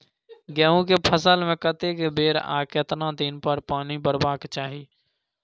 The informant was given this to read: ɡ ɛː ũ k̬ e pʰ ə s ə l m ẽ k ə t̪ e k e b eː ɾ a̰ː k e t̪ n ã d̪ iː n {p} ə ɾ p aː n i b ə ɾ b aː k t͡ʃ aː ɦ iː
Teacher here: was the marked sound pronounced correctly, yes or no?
yes